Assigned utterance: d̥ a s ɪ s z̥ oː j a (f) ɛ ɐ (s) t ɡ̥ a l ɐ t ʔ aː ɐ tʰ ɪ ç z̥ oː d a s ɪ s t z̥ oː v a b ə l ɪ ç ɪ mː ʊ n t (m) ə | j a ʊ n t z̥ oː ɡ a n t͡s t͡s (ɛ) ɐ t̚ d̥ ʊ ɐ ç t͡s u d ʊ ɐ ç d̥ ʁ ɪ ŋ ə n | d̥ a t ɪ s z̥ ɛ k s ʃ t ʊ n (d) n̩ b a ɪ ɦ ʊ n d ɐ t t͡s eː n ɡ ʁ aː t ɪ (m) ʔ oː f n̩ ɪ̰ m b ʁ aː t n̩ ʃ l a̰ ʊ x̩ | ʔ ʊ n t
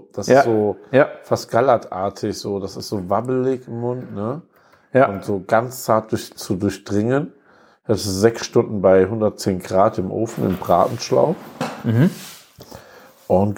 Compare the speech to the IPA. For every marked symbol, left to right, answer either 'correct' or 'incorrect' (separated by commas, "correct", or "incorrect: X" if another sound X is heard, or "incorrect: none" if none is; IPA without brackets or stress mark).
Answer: correct, correct, incorrect: n, incorrect: a, correct, correct